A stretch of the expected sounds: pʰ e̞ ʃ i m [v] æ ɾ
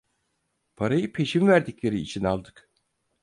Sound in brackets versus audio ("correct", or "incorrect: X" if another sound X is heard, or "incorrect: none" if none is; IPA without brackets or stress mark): correct